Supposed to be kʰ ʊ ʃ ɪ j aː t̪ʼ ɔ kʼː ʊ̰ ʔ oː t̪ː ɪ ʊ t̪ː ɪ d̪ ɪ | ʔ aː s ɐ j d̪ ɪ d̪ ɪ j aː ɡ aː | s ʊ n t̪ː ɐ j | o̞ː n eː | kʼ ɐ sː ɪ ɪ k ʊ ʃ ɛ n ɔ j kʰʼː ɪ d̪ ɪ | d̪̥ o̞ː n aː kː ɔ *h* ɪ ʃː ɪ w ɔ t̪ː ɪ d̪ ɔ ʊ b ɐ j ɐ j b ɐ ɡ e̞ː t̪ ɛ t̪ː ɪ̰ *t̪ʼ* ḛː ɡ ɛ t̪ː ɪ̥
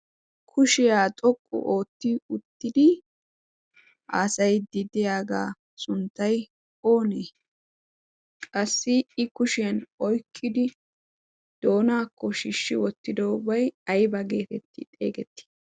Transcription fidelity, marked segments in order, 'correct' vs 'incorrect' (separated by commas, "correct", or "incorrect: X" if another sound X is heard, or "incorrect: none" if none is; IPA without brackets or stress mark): incorrect: ʃ, correct